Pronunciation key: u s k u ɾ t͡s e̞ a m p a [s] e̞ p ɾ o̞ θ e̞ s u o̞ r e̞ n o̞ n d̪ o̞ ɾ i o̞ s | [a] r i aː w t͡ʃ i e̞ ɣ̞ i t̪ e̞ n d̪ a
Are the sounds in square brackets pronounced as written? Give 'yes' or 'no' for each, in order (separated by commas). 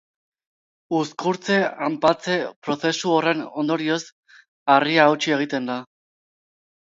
no, yes